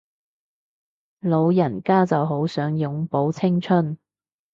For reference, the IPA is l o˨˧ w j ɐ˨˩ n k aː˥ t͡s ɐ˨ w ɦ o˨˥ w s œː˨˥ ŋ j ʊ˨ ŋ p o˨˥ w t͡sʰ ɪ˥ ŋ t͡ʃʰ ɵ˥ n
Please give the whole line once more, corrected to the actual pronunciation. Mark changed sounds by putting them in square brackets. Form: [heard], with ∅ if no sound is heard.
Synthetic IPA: l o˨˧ w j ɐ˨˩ n k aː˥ t͡s ɐ˨ w ɦ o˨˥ w s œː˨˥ ŋ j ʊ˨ ŋ p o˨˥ w t͡sʰ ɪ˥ ŋ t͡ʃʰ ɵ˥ n